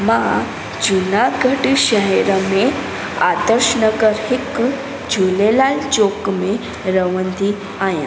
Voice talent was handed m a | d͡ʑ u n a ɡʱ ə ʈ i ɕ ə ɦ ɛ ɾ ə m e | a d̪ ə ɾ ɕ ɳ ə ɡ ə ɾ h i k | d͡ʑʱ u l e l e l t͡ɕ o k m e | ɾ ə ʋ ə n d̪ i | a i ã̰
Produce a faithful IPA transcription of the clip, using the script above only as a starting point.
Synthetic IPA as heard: m a | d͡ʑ u n a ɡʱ ə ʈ i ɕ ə ɦ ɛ ɾ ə m e | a d̪ ə ɾ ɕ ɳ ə ɡ ə ɾ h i k | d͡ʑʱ u l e l a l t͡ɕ o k m e | ɾ ə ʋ ə n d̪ i | a j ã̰